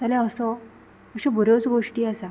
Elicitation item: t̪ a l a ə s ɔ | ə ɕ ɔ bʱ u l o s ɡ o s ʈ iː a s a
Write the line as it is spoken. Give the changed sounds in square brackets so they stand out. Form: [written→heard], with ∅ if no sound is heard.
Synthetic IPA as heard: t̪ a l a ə s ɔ | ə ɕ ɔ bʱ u [l→ɾ] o [s→t͡s] ɡ o [s→ʂ] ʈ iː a s a